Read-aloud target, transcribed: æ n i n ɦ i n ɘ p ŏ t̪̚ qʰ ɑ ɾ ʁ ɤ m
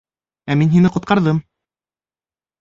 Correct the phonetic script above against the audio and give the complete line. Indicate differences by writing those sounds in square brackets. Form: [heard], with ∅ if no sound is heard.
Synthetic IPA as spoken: æ [m] i n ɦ i n ɘ [q] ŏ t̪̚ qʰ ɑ ɾ [ð] ɤ m